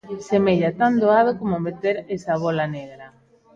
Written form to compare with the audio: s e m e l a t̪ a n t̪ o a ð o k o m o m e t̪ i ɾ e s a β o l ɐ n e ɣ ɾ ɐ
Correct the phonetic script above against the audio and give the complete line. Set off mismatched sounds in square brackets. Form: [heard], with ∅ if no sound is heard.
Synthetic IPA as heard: s e m e [ʎ] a t̪ a n [d̪] o a ð o k o m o m e t̪ [e] ɾ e s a β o l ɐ n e ɣ ɾ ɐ